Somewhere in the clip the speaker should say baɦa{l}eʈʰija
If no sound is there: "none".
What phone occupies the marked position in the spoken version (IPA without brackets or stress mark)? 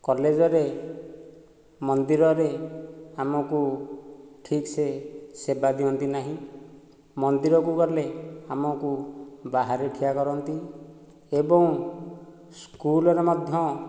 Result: ɾ